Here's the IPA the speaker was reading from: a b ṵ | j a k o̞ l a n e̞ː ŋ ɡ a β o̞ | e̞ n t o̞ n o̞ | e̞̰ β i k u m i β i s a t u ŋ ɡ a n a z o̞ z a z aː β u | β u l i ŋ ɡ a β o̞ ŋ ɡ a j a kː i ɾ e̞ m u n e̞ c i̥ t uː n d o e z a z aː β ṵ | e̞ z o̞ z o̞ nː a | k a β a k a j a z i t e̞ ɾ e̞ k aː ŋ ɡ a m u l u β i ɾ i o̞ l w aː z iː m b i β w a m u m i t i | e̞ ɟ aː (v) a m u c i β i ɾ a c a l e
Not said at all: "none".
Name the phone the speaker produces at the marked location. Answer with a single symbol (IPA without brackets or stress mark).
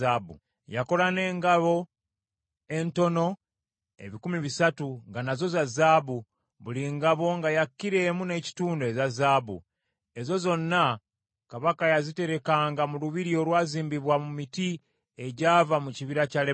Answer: v